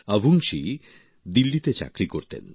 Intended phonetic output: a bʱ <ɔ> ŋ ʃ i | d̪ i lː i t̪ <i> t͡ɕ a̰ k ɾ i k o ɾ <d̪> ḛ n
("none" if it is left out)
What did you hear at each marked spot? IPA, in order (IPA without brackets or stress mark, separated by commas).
u, e, t̪